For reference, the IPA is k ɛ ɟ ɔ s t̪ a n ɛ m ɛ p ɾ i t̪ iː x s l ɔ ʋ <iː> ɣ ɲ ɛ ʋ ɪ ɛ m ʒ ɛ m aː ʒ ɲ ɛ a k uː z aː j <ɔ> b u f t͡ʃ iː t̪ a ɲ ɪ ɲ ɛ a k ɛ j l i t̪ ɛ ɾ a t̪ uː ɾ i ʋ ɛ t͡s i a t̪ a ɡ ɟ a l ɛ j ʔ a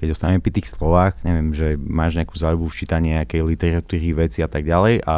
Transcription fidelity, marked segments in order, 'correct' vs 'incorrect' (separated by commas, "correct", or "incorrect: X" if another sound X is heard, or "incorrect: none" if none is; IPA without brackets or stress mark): incorrect: aː, incorrect: u